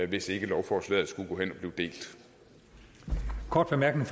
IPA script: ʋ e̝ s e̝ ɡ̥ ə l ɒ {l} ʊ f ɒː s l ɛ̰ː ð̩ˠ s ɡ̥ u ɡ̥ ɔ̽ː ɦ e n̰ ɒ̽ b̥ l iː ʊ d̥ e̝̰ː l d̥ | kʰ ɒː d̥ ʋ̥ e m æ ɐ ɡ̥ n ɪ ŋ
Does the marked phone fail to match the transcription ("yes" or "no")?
yes